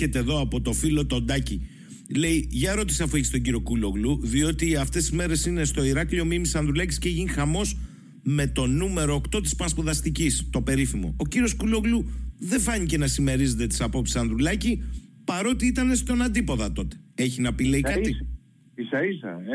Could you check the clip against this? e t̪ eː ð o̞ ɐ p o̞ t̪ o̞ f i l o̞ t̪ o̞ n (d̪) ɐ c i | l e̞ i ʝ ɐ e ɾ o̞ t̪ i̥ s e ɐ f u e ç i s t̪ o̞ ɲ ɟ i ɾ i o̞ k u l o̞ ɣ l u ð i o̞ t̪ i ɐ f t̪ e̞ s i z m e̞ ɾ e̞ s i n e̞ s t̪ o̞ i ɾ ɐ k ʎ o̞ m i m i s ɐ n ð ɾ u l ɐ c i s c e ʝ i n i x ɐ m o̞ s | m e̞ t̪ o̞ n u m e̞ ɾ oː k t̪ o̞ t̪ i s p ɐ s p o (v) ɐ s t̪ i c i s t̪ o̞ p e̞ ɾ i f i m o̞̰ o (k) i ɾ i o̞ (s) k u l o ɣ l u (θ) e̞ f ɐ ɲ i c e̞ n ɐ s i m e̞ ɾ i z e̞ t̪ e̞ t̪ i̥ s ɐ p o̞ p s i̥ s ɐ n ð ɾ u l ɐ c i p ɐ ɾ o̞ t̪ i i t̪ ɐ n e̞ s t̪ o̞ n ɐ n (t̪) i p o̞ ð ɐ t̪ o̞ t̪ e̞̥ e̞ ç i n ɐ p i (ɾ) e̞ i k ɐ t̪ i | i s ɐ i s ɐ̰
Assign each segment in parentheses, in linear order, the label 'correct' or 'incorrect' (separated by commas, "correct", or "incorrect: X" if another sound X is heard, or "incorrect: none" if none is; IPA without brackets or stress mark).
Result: correct, incorrect: ð, incorrect: c, correct, incorrect: ð, incorrect: d̪, incorrect: l